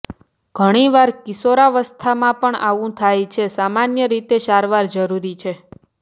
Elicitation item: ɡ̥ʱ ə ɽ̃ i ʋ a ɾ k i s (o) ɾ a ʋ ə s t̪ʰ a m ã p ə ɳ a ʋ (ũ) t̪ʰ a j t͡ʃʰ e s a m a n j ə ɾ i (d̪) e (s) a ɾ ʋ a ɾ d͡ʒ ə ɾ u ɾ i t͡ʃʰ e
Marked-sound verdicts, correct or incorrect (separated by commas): correct, correct, incorrect, incorrect